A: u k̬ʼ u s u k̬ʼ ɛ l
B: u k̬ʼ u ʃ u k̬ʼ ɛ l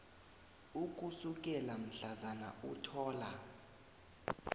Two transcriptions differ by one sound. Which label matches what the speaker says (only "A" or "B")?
A